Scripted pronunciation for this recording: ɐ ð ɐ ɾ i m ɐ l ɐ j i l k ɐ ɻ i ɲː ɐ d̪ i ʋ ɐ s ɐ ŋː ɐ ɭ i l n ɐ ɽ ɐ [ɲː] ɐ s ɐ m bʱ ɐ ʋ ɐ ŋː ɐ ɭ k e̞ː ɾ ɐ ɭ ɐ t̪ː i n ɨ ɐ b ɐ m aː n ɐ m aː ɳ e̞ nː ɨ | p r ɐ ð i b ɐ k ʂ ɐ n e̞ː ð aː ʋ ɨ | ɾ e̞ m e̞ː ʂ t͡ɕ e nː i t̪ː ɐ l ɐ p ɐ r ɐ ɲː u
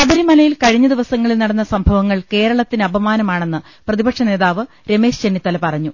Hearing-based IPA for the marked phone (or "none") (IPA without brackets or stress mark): nː